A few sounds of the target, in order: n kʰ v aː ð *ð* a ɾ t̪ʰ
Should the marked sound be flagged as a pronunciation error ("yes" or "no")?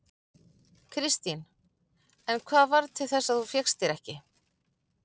yes